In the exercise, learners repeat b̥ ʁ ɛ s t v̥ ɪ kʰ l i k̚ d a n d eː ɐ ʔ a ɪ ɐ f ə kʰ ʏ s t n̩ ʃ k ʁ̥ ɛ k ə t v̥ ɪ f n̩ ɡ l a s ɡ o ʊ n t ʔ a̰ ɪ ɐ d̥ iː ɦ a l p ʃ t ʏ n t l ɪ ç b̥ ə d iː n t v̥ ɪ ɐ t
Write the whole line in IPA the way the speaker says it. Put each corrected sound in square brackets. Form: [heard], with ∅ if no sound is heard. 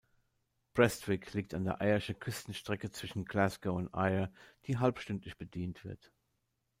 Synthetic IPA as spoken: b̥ ʁ ɛ s t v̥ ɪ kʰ l [iː] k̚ [t] a n d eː ɐ ʔ a ɪ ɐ [ʃ] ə kʰ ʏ s t n̩ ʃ [t] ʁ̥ ɛ k ə [t͡s] v̥ ɪ [ʃ] n̩ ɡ l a s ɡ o ʊ n t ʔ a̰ ɪ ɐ d̥ iː ɦ a l p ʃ t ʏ n t l ɪ ç b̥ ə d iː n t v̥ ɪ ɐ t